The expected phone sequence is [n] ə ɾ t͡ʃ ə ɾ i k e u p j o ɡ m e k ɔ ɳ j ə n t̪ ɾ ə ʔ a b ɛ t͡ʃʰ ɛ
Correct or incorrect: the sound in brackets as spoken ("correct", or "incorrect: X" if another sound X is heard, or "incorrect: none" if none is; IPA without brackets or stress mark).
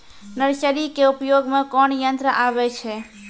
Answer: correct